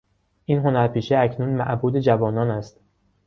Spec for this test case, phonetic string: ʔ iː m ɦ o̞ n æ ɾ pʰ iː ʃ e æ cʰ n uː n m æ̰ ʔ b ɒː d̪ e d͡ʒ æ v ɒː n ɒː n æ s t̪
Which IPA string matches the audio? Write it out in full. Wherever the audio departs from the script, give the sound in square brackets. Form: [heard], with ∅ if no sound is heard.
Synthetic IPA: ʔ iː [n] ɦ o̞ n æ ɾ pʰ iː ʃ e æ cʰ n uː n m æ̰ ʔ b [uː] d̪ e d͡ʒ æ v ɒː n ɒː n æ s t̪